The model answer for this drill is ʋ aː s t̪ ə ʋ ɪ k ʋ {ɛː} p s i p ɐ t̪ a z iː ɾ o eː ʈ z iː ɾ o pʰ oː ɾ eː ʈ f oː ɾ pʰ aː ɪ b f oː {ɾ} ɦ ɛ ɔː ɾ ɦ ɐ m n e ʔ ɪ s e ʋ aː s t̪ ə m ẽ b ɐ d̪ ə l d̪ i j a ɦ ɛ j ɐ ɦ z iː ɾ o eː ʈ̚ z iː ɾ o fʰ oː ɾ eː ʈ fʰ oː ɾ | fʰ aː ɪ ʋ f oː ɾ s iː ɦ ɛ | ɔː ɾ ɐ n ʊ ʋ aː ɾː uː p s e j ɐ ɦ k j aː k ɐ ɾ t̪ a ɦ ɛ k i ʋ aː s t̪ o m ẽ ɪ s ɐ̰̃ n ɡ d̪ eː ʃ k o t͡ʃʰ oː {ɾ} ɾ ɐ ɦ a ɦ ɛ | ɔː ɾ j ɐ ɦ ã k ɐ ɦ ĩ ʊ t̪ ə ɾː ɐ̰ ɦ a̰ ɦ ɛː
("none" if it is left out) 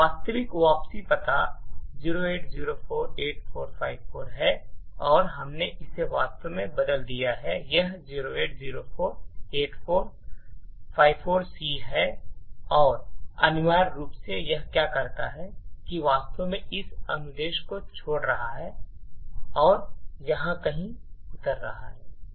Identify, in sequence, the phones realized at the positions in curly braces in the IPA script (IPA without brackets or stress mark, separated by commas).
aː, ɾ, ɽ